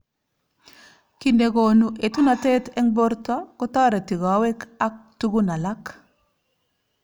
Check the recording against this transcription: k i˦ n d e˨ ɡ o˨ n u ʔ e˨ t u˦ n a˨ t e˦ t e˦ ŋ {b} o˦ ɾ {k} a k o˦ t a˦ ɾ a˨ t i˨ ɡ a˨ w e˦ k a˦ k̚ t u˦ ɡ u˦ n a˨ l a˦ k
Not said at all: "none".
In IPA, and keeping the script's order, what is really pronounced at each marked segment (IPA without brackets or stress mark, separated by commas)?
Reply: b, t